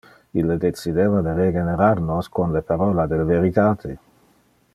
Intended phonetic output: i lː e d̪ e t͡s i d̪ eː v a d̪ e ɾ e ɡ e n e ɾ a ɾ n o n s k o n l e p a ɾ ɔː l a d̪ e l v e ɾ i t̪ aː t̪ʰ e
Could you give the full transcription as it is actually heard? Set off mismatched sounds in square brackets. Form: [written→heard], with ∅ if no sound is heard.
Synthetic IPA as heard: i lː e d̪ e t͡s i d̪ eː v a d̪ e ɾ e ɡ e n e ɾ a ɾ n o [n→∅] s k o n l e p a ɾ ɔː l a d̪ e l v e ɾ i t̪ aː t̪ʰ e